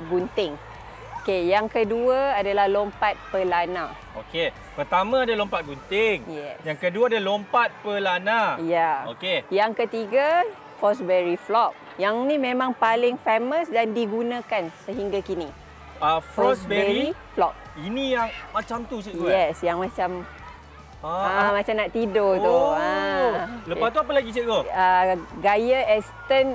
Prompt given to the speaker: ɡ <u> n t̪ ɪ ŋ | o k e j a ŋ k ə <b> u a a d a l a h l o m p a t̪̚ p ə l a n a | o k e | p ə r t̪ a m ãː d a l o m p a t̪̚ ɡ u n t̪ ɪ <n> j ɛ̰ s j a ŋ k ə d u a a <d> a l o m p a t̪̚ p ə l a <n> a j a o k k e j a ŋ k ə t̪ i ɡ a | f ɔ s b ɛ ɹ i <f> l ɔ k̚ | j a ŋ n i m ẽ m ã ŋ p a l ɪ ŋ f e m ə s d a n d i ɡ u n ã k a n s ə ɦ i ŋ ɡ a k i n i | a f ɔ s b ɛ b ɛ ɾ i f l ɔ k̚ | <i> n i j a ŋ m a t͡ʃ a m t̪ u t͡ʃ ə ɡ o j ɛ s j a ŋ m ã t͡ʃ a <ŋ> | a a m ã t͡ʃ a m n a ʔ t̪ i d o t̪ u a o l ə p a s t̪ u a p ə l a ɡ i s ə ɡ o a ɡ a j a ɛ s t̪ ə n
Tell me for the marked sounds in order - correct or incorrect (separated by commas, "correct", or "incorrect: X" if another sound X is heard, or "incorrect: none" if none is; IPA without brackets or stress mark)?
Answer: correct, incorrect: d, incorrect: ŋ, correct, correct, correct, correct, incorrect: m